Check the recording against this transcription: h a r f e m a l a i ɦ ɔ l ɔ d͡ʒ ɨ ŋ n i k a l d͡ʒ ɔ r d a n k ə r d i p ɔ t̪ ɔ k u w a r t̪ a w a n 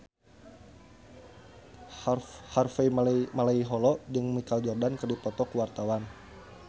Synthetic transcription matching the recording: h a r f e m a l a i ɦ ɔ l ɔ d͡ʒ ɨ ŋ m i k a l d͡ʒ ɔ r d a n k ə r d i p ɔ t̪ ɔ k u w a r t̪ a w a n